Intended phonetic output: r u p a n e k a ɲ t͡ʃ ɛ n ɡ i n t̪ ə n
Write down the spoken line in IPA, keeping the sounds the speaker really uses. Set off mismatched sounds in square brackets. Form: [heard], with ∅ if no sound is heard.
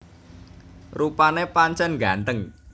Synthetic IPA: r u p a n e [p] a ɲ t͡ʃ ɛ n ɡ [a] n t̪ ə [ŋ]

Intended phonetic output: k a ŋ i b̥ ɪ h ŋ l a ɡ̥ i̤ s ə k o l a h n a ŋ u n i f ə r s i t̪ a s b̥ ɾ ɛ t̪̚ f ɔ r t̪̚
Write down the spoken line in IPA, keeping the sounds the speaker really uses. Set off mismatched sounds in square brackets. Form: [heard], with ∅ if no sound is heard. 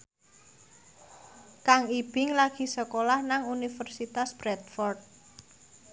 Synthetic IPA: k a ŋ i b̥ ɪ [∅] ŋ l a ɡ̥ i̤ s ə k o l a h n a ŋ u n i f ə r s i t̪ a s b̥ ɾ ɛ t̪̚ f ɔ r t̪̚

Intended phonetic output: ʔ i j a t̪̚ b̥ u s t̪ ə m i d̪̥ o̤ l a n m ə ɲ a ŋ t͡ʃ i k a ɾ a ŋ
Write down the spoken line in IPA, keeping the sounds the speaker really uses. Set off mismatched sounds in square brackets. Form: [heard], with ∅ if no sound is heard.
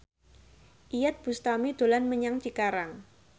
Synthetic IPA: ʔ i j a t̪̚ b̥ u s t̪ [a] m i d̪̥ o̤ l a n m ə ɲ a ŋ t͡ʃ i k a ɾ a ŋ

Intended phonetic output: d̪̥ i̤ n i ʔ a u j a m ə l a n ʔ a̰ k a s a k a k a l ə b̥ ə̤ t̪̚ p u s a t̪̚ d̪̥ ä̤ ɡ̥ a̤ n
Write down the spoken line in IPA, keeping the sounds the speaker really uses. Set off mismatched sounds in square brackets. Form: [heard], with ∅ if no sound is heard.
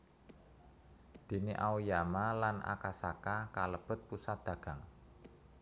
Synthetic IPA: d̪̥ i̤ n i ʔ a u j a m [a] l a n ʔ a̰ k a s a k a k a l ə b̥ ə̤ t̪̚ p u s a t̪̚ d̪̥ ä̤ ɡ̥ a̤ [ŋ]

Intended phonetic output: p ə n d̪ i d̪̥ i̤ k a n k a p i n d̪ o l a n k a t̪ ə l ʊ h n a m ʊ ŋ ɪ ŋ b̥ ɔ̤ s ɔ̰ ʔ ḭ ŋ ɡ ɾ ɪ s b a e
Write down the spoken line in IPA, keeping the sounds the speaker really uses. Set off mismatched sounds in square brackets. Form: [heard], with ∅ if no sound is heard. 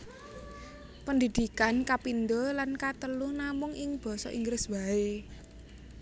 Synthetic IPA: p ə n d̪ i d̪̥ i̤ k a n k a p i n d̪ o l a n k a t̪ ə l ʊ h n a m ʊ ŋ ɪ ŋ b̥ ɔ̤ s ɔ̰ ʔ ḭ ŋ ɡ ɾ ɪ s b a e

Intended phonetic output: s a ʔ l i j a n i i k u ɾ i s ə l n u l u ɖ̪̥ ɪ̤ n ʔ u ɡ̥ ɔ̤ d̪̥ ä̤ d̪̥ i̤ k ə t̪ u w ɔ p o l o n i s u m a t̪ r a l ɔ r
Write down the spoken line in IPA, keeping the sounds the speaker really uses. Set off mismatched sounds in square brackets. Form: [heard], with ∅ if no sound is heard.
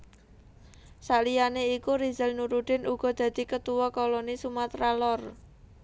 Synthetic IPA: s a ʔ l i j a n [e] i k u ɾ i [z] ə l n u [ɾ] u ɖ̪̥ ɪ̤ n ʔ u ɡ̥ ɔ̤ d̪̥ ä̤ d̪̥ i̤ k ə t̪ u w ɔ [k] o l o n i s u m a t̪ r a l ɔ r

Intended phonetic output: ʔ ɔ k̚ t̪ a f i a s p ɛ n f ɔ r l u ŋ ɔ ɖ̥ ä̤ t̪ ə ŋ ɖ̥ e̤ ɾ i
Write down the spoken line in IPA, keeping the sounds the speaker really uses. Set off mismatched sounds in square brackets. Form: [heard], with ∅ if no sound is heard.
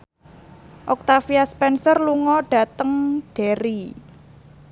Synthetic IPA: ʔ ɔ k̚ t̪ a f i a s p ɛ n [s] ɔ r l u ŋ ɔ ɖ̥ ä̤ t̪ ə ŋ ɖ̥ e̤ ɾ i

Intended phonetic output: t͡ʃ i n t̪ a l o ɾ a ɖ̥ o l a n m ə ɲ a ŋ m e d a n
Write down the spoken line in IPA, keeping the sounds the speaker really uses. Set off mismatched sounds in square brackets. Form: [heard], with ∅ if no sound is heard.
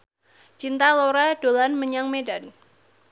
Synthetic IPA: t͡ʃ i n t̪ a l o ɾ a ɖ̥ o l a n m ə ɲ a ŋ m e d a n

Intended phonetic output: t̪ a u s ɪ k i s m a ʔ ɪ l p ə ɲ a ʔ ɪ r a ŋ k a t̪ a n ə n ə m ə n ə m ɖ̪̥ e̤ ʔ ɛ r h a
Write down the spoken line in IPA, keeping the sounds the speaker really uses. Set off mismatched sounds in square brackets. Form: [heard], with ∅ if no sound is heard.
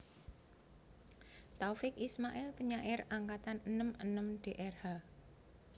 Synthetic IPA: t̪ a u [f] ɪ k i s m a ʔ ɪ l p ə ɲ a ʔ ɪ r a ŋ k a t̪ a n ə n ə m ə n ə m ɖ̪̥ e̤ ʔ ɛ r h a

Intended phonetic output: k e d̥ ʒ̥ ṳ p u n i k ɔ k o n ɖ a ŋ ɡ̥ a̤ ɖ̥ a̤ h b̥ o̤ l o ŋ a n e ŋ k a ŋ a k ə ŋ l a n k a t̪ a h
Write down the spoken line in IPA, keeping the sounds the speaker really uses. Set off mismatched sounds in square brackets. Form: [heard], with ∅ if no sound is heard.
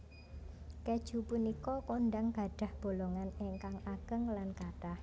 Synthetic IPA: k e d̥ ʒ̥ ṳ p u n i k ɔ k o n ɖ a ŋ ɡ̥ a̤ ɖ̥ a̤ h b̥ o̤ l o ŋ a n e ŋ k a ŋ a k ə ŋ l a n k a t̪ a h

